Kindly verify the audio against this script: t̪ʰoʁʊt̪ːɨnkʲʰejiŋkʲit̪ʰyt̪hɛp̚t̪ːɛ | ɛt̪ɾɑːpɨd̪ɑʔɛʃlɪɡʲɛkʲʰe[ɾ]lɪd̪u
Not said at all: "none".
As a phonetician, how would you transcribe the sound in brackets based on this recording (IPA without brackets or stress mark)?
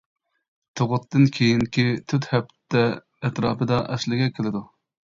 none